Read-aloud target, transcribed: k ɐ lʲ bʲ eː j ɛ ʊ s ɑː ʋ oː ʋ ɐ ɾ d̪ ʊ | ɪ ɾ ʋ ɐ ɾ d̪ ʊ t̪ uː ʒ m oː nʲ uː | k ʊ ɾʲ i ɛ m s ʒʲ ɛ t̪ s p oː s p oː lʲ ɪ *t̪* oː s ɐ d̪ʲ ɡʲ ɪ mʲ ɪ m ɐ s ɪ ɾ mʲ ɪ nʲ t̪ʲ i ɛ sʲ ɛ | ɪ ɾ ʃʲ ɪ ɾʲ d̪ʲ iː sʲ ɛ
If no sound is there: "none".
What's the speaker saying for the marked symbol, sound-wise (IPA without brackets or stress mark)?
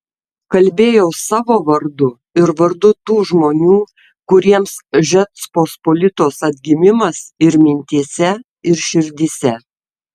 t̪